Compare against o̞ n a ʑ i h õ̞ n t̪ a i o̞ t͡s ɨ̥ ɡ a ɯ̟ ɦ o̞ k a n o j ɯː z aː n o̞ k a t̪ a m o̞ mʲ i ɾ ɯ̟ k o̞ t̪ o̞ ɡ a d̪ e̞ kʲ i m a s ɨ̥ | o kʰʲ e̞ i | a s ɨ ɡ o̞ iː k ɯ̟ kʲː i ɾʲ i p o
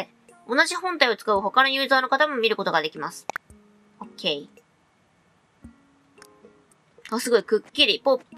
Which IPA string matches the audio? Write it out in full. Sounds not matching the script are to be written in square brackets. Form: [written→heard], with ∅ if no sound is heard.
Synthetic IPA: o̞ n a ʑ i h õ̞ n t̪ a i o̞ t͡s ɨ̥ [ɡ→k] a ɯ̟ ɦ o̞ k a n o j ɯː z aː n o̞ k a t̪ a m o̞ mʲ i ɾ ɯ̟ k o̞ t̪ o̞ ɡ a d̪ e̞ kʲ i m a s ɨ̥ | o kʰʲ e̞ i | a s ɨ ɡ o̞ [iː→i] k ɯ̟ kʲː i ɾʲ i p o